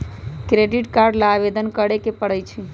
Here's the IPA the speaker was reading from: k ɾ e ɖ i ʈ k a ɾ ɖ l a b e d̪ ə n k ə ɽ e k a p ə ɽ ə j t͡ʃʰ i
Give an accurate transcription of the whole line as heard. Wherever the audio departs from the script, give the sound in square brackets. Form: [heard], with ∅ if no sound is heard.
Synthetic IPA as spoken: k ɾ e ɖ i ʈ k a ɾ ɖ l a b e d̪ ə n k ə ɽ e k [e] p ə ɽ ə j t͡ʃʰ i